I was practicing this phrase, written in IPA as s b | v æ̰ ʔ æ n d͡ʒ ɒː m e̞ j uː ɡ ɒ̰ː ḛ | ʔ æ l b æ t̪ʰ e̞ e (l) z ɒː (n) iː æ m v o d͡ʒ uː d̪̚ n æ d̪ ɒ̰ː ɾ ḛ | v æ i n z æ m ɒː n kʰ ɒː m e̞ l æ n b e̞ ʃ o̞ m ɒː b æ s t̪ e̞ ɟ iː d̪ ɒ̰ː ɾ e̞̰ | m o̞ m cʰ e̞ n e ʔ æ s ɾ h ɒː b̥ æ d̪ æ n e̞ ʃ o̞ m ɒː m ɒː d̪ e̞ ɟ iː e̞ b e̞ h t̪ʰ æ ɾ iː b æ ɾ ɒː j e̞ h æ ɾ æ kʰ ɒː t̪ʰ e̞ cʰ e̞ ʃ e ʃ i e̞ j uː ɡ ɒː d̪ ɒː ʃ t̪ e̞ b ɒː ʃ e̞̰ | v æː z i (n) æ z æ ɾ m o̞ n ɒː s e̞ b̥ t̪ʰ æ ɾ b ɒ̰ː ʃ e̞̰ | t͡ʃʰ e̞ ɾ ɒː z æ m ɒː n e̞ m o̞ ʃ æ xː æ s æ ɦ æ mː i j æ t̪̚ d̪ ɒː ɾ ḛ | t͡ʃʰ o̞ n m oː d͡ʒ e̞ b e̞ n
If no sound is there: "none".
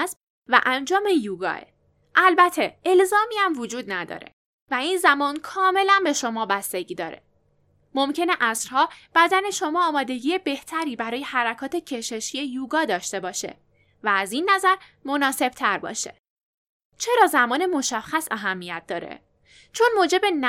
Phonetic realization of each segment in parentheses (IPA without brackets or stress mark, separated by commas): l, m, nː